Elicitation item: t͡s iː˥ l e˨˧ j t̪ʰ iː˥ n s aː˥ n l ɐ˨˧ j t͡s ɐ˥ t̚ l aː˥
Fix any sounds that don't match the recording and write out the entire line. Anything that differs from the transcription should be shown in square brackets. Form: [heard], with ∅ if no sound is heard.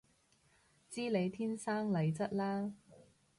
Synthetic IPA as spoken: t͡s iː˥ l e˨˧ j t̪ʰ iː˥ n s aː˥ [ŋ] l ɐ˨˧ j t͡s ɐ˥ t̚ l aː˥